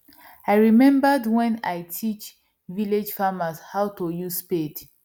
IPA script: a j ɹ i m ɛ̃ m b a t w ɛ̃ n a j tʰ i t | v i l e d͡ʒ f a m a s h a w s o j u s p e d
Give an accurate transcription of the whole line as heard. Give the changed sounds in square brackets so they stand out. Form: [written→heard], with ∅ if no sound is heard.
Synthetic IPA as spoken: a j ɹ i m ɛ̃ m b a [t→d] w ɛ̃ n a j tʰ i [t→t͡ʃ] | v i l e d͡ʒ f a m a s h a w [s→t] o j u s p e d